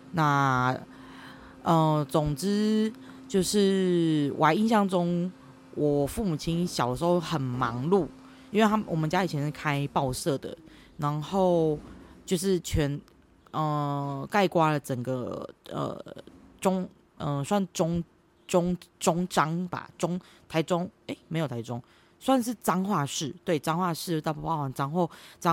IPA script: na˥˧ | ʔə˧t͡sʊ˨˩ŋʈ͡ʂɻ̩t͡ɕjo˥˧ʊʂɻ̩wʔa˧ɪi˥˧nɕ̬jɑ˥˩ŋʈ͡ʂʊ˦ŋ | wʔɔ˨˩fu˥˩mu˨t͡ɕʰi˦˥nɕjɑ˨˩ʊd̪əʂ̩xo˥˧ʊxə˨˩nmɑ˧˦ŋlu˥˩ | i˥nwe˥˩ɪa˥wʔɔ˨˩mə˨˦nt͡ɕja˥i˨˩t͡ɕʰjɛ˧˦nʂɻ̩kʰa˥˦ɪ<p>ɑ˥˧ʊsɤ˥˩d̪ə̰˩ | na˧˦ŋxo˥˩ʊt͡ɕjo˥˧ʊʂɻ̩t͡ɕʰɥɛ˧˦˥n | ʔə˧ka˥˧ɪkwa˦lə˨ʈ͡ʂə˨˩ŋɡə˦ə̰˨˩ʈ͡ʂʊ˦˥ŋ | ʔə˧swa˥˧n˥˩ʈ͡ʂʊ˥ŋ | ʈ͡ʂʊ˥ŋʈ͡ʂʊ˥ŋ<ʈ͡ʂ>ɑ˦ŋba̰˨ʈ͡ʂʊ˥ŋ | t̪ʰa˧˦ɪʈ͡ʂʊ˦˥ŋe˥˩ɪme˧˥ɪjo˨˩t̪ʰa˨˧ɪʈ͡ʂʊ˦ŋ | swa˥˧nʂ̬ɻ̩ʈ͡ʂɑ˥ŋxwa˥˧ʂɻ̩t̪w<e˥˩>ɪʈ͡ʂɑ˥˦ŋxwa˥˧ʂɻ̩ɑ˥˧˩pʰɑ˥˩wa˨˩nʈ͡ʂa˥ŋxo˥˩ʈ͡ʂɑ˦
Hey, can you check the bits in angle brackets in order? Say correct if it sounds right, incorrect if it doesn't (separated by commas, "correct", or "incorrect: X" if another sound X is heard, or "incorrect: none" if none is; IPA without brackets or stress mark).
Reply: correct, correct, correct